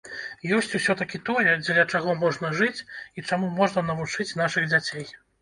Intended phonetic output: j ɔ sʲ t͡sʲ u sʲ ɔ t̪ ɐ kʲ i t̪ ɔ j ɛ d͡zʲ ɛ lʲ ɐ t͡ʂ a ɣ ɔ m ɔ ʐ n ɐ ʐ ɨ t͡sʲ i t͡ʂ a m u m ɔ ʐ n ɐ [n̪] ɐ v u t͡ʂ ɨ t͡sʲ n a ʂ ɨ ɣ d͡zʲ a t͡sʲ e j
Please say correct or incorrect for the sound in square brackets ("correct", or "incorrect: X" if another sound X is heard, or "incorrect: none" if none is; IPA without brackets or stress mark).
correct